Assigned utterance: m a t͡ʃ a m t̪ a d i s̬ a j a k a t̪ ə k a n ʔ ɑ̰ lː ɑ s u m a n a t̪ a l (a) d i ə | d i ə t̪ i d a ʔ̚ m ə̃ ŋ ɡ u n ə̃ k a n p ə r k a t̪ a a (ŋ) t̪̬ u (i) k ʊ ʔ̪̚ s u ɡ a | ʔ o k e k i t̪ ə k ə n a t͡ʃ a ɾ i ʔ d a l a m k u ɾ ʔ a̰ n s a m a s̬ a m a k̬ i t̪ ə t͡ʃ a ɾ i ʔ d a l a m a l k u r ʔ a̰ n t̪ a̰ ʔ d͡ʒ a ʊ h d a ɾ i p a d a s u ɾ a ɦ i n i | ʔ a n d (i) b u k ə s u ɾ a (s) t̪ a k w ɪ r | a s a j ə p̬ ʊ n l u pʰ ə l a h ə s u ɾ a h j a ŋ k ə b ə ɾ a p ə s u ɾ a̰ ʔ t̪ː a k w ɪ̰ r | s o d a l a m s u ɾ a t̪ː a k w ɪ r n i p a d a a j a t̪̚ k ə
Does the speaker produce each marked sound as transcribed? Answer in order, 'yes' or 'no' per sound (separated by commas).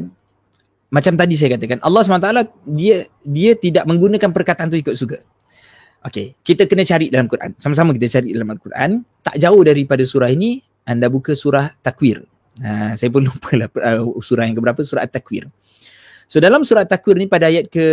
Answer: yes, no, yes, no, no